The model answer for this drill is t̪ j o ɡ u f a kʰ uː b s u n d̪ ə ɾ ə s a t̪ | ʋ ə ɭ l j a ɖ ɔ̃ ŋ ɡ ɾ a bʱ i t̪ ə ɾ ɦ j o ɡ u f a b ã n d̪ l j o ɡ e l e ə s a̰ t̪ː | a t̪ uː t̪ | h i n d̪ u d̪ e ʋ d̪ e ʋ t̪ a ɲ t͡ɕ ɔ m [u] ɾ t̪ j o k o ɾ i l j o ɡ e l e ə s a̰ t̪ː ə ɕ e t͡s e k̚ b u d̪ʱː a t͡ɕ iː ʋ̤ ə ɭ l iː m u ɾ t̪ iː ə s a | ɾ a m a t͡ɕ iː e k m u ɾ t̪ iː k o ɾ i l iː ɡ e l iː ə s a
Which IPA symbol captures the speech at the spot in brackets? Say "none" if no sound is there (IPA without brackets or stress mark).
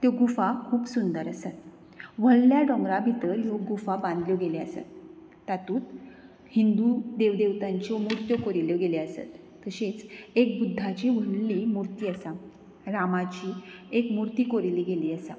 u